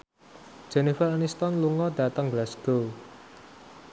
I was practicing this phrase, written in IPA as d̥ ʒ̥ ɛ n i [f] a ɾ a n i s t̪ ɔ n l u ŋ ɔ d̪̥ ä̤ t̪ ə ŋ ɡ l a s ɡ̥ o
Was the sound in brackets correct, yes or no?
yes